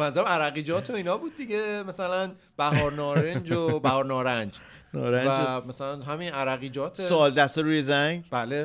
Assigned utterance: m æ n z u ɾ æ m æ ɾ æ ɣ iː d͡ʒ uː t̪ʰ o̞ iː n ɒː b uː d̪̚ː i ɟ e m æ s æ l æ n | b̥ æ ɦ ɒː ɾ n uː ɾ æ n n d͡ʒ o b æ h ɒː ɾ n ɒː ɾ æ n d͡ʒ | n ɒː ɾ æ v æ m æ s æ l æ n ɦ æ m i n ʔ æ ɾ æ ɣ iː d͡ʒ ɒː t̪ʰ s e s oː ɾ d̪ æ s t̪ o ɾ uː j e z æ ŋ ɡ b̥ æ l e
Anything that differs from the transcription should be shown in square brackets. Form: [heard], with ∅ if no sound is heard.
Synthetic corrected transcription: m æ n z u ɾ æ m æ ɾ æ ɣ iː d͡ʒ [ɒː] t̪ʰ o̞ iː n ɒː b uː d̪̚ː i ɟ e m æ s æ l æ n | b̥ æ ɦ ɒː ɾ n [ɒː] ɾ [e] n n d͡ʒ o b æ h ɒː ɾ n ɒː ɾ æ n d͡ʒ | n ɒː ɾ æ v æ m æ s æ l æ n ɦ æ m i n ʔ æ ɾ æ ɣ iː d͡ʒ ɒː t̪ʰ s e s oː [l] d̪ æ s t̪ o ɾ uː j e z æ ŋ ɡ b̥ æ l e